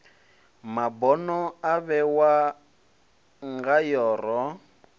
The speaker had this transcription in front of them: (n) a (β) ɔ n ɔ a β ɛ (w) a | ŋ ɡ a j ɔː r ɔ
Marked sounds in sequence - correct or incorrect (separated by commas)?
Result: incorrect, incorrect, correct